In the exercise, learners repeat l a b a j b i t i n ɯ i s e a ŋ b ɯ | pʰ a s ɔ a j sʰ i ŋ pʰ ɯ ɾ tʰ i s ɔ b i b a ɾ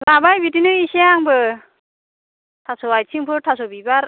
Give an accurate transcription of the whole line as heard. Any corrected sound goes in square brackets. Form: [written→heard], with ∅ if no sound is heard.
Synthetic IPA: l a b a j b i t i n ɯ i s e a ŋ b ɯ | [pʰ→tʰ] a s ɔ a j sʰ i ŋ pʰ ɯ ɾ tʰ [i→a] s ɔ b i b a ɾ